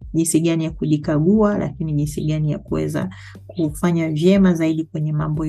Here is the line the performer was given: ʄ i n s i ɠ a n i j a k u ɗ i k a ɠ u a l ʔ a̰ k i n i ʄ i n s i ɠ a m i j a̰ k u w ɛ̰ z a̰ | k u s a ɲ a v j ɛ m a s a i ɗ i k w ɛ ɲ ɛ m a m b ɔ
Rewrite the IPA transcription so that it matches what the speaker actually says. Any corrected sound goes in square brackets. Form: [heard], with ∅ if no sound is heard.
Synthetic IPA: ʄ i n s i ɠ a n i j a k u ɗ i k a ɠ u a l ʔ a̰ k i n i ʄ i n s i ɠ a [n] i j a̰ k u w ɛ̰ z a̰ | k u [f] a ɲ a v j ɛ m a [z] a i ɗ i k w ɛ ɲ ɛ m a m b ɔ